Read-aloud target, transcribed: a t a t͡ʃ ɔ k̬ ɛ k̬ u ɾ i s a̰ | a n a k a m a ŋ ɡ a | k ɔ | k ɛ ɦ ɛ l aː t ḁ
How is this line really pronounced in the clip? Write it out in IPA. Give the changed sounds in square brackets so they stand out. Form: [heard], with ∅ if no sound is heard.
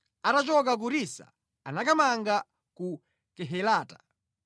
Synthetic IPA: a t a t͡ʃ ɔ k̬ [a] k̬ u ɾ i s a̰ | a n a k a m a ŋ ɡ a | k [u] | k ɛ ɦ ɛ l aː t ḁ